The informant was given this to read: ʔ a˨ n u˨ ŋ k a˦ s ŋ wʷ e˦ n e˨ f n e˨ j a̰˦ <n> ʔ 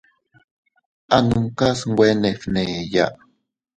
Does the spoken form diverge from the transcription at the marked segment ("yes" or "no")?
yes